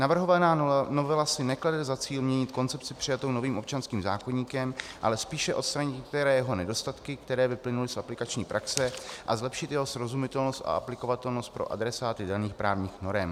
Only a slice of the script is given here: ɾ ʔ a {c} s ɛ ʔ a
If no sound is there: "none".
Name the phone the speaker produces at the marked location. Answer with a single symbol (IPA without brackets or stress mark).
k